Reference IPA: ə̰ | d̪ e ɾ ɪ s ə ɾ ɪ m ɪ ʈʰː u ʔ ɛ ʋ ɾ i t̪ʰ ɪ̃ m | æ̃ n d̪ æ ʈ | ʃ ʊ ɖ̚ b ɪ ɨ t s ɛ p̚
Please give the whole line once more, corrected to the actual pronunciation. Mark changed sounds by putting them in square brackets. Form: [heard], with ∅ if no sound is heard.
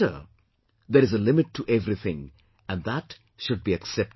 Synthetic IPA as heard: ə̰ | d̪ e ɾ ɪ [z] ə [l] ɪ m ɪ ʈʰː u ʔ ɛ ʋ ɾ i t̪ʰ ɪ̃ [ŋ] | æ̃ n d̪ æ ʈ | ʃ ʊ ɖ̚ b [i] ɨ [k] s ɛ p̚